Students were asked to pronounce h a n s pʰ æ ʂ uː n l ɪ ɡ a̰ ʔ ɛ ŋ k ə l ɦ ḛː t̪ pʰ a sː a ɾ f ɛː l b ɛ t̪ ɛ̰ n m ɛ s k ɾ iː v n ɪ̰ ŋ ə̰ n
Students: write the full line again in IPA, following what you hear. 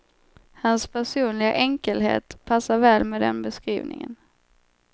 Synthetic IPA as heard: h a n s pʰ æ ʂ uː n l ɪ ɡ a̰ ʔ ɛ ŋ k ə l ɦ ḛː t̪ pʰ a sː a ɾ v ɛː l m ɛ d̪ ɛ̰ n b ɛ s k ɾ iː v n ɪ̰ ŋ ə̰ n